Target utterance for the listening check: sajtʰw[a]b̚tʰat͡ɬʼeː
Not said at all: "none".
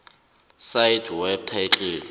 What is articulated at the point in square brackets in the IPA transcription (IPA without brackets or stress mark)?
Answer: ɛ